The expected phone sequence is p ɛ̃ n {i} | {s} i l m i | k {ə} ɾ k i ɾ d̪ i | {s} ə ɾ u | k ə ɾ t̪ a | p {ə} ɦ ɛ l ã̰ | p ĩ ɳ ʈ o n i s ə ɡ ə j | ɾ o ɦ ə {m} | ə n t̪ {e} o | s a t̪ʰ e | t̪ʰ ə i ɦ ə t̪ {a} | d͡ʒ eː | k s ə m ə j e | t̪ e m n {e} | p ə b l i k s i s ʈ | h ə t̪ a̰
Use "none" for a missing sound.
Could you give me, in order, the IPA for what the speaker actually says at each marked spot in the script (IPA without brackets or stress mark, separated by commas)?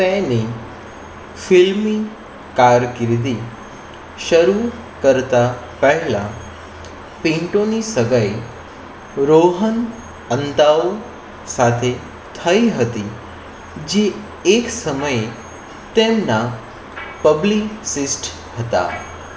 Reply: i, f, a, ʃ, ə, n, a, i, a